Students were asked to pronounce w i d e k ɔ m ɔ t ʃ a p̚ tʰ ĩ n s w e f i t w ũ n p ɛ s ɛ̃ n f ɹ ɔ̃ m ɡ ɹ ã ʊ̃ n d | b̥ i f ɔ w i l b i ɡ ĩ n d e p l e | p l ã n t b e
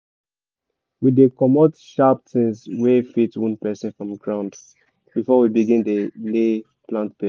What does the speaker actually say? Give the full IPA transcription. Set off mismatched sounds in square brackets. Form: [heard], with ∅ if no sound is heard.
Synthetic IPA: w i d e k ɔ m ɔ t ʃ a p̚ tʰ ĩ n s w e f i t w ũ n p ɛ s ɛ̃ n f ɹ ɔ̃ m ɡ ɹ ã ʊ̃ n d | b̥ i f ɔ w i [∅] b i ɡ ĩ n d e [∅] l e | p l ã n t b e